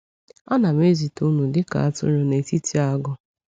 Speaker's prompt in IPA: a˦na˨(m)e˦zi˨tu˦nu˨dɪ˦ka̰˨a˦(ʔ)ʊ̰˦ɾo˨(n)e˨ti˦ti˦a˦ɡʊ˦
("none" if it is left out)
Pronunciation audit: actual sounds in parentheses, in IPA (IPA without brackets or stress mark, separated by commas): m, t, n